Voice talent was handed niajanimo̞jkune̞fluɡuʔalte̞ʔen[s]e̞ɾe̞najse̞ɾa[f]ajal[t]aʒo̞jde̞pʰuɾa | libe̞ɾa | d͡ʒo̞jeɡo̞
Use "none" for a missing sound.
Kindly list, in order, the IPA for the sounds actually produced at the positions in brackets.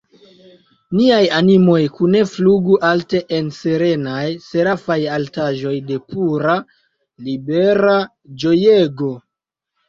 s, f, t

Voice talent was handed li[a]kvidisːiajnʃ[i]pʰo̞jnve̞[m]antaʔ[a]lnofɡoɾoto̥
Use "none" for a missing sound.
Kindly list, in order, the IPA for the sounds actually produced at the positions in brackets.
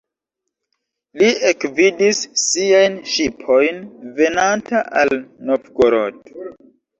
e, i, n, a

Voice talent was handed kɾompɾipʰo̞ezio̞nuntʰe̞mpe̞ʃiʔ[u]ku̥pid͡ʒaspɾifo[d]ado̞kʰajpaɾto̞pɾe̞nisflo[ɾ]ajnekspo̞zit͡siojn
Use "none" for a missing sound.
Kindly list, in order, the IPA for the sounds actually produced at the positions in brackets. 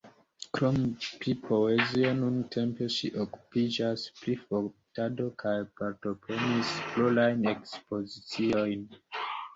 o, t, l

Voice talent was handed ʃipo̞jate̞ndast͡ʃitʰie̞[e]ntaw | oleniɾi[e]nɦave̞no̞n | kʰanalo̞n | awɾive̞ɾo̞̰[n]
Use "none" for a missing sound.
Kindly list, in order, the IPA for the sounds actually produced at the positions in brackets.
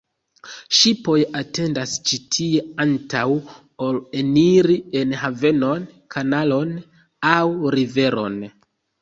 a, e, n

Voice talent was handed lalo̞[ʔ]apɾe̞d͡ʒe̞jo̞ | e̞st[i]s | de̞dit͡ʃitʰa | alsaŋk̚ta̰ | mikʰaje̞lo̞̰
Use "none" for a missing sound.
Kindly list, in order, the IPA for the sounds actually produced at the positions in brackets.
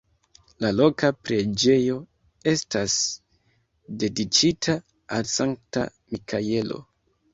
k, a

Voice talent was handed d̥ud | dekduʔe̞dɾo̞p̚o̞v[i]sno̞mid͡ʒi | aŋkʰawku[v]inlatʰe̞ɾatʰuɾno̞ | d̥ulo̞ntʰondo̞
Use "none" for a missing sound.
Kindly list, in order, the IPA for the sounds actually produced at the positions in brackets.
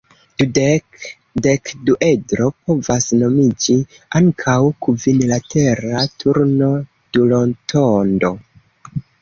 a, v

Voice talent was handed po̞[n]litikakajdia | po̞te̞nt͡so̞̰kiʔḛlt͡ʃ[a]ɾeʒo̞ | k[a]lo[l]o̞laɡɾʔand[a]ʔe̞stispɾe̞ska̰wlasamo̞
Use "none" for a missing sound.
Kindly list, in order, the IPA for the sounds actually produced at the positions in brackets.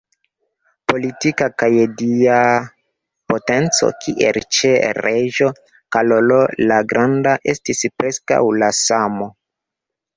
none, e, a, l, a

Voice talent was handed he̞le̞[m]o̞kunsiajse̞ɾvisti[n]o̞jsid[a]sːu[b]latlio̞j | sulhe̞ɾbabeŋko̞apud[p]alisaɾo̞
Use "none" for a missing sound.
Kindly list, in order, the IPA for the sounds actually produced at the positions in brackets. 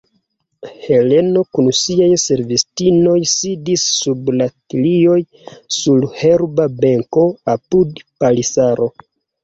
n, n, i, b, p

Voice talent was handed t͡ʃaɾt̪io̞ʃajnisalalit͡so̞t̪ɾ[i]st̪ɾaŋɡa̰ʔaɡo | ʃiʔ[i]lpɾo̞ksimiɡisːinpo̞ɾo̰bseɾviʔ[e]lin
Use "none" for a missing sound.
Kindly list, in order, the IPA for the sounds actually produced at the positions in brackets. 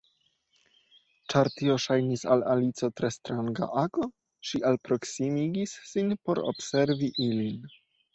e, a, i

